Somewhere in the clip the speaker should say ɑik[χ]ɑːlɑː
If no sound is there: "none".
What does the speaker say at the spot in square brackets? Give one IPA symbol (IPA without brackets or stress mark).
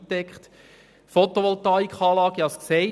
χ